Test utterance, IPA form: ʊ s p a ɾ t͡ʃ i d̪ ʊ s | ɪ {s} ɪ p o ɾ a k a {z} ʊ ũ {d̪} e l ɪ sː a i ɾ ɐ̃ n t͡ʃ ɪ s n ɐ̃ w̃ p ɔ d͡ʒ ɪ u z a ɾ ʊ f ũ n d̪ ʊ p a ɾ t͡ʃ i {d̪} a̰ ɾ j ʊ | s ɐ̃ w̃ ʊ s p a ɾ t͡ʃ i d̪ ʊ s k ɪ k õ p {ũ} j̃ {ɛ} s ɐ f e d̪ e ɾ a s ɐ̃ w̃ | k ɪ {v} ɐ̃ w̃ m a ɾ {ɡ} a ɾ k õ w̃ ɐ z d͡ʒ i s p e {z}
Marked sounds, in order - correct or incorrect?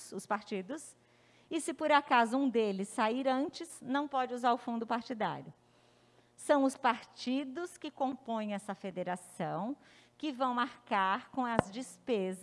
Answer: correct, correct, correct, correct, incorrect: õ, correct, correct, incorrect: k, correct

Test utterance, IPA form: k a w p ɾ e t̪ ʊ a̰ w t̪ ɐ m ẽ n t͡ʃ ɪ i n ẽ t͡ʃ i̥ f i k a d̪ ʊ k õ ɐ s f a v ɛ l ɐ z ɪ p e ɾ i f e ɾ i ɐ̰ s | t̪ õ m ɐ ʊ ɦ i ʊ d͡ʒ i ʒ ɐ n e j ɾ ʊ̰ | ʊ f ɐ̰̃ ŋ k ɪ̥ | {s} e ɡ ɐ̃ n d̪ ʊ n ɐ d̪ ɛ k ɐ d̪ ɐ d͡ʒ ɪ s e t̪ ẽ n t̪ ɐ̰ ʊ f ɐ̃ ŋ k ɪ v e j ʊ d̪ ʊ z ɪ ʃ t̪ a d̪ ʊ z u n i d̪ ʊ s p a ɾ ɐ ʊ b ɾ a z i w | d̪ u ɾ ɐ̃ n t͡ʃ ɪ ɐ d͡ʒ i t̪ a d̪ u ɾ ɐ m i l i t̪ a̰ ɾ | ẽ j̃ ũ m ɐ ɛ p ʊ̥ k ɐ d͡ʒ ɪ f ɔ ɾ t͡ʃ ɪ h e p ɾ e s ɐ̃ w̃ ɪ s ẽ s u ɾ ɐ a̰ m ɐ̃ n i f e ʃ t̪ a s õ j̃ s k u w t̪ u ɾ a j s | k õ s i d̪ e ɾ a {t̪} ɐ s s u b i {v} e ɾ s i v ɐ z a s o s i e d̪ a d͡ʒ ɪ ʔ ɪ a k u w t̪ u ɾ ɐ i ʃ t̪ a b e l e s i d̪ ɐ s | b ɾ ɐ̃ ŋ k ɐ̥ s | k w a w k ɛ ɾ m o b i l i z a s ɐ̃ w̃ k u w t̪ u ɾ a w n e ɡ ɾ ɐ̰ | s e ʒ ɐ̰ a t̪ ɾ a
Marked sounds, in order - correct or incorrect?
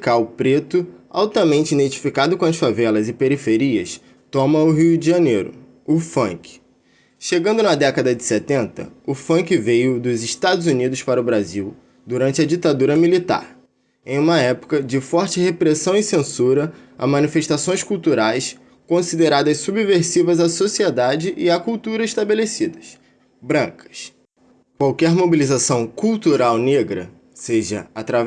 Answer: incorrect: ʃ, incorrect: d̪, correct

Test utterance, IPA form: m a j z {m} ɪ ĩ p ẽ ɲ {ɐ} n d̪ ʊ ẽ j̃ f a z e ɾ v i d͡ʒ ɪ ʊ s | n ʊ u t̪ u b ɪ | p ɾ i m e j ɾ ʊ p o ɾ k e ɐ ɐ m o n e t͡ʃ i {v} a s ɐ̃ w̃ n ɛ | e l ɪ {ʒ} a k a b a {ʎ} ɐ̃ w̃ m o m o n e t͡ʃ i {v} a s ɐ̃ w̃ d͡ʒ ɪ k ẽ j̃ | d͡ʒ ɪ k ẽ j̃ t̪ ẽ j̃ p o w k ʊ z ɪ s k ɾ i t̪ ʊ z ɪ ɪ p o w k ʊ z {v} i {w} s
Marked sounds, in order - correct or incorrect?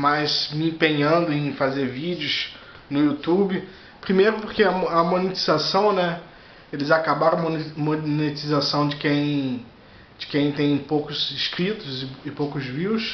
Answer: correct, incorrect: ɐ̃, incorrect: z, incorrect: z, incorrect: ɾ, incorrect: z, correct, correct

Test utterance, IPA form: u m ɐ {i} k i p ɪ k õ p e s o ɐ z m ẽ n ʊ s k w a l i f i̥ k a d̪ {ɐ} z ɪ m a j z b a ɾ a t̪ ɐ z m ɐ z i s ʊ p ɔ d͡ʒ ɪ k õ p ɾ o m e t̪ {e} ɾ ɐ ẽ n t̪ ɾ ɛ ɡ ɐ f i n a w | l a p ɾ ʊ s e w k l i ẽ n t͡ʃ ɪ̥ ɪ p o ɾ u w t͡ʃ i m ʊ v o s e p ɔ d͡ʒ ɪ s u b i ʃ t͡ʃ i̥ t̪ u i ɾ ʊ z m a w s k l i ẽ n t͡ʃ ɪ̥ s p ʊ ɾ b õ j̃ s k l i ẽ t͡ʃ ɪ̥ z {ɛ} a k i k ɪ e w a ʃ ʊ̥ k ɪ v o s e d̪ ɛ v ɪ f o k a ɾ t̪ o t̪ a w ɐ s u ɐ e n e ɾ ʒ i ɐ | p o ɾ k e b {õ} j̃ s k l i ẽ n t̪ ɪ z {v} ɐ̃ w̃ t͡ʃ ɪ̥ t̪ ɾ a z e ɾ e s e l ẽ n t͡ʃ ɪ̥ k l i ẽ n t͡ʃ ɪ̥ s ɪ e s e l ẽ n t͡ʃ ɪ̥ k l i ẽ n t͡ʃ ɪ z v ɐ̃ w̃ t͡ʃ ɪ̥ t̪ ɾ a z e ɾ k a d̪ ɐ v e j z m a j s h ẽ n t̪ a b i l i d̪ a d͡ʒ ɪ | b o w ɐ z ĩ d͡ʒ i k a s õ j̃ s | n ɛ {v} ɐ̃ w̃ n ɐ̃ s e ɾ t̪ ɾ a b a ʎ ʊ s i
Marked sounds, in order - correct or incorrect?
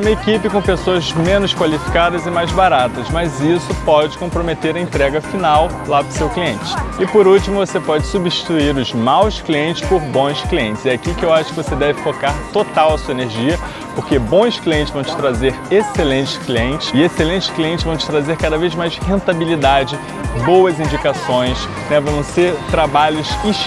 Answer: incorrect: e, correct, correct, correct, correct, correct, correct

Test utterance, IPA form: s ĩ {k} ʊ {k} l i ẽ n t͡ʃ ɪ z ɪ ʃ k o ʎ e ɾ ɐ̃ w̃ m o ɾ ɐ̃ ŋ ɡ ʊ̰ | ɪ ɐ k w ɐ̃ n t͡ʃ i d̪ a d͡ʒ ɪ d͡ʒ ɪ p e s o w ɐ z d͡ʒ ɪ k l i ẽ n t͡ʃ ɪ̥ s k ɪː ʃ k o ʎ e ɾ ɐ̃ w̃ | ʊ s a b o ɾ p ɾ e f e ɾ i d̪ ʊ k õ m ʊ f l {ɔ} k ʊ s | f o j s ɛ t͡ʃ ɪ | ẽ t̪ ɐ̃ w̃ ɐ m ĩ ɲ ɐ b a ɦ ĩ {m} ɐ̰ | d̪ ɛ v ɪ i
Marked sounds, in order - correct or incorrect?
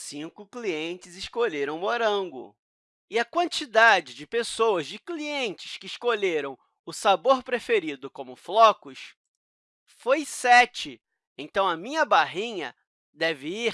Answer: correct, correct, correct, incorrect: ɲ

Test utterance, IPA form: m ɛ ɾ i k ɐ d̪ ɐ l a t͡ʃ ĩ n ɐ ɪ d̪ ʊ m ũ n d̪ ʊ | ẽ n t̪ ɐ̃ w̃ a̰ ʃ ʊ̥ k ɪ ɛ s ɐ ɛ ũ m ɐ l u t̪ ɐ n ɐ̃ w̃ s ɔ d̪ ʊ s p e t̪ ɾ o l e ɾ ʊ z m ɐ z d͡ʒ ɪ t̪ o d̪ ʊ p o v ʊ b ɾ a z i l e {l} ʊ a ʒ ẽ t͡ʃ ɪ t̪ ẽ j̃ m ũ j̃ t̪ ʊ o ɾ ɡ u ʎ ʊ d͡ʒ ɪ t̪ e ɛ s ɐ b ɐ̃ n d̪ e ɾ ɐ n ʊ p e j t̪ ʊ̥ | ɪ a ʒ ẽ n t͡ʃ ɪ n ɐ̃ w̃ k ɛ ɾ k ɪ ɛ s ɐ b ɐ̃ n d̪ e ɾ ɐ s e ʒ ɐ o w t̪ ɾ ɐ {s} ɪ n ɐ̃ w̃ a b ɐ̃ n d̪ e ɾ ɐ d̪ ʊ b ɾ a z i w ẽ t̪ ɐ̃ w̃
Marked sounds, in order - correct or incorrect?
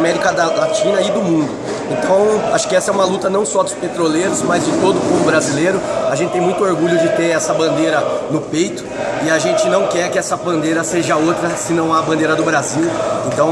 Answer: incorrect: ɾ, correct

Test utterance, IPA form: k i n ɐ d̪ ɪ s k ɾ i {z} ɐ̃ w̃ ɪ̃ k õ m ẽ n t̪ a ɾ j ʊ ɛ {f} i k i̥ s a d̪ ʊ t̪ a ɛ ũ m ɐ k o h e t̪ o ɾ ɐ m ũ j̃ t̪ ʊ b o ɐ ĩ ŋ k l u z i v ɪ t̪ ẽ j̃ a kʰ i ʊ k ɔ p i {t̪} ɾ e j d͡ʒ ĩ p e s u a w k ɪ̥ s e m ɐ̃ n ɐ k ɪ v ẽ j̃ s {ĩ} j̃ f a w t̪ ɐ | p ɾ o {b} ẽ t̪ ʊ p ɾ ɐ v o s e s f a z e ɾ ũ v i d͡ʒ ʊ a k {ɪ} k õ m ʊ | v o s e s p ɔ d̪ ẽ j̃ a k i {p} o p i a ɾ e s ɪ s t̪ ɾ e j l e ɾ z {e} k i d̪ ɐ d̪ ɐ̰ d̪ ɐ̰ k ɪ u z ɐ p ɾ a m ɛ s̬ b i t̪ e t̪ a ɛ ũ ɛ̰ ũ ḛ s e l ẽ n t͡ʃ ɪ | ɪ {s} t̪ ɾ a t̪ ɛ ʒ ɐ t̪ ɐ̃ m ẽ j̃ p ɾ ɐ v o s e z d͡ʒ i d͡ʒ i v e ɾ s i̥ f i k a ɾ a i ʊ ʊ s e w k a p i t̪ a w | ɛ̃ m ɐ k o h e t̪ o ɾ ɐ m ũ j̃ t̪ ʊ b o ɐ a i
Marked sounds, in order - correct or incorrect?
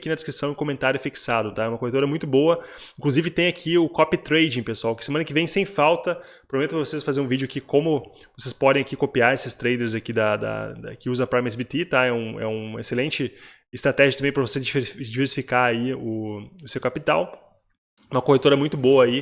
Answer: incorrect: s, correct, correct, incorrect: ẽ, incorrect: m, incorrect: i, incorrect: k, incorrect: a, correct

